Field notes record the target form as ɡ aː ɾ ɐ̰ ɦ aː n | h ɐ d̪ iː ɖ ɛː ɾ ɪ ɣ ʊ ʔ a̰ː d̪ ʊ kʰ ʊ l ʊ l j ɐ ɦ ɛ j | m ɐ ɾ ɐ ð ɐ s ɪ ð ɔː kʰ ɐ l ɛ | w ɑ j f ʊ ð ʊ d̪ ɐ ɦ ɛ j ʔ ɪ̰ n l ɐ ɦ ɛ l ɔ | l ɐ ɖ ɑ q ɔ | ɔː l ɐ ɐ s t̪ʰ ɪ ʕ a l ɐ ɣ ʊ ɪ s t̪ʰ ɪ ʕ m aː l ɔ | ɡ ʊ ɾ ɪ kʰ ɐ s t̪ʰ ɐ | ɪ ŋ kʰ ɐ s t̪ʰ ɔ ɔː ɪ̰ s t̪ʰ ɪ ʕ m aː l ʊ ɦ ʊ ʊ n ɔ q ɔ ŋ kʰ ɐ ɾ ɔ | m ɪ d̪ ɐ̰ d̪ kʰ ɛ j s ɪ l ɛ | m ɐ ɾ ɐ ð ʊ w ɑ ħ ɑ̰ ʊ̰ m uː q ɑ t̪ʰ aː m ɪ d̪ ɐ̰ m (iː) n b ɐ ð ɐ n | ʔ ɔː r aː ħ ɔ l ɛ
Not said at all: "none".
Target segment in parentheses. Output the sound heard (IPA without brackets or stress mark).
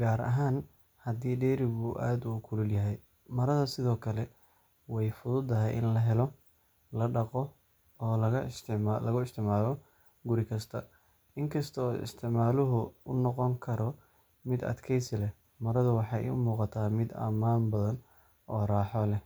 aː